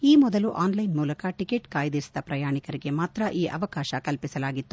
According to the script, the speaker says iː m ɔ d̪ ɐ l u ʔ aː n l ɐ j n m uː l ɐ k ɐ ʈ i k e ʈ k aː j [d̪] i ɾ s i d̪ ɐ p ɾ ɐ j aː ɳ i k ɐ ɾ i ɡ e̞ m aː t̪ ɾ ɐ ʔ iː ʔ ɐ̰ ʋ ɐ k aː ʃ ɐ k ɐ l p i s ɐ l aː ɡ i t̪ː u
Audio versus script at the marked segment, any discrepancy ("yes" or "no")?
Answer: no